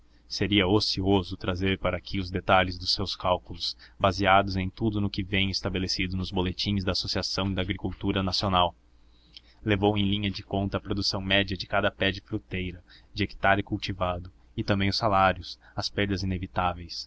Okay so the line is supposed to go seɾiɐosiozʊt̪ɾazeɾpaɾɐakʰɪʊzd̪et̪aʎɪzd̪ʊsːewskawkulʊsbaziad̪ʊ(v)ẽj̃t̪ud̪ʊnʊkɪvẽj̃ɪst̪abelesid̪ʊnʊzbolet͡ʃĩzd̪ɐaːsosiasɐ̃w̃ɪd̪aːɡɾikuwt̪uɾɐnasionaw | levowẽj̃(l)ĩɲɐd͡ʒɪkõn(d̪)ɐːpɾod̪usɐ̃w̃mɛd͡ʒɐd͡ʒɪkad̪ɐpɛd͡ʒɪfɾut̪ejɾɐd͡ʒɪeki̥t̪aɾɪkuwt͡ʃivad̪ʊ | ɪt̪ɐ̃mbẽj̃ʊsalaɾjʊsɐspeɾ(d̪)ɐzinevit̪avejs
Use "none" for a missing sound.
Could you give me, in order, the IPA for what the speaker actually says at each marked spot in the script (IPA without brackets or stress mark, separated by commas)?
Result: z, l, t̪, d̪